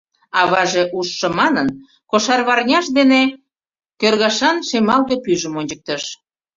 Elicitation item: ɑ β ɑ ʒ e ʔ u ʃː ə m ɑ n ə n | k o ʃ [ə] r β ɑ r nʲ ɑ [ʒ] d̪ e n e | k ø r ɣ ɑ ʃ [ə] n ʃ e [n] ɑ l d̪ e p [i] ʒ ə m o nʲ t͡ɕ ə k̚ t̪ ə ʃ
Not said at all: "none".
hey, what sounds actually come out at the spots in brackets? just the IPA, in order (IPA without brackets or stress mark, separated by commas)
ɑ, ʃ, ɑ, m, y